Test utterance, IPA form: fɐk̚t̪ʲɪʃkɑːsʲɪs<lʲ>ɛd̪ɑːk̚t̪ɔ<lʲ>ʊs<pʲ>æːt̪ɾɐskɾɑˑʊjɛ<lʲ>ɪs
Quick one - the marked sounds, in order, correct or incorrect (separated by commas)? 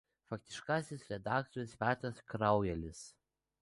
incorrect, incorrect, correct, correct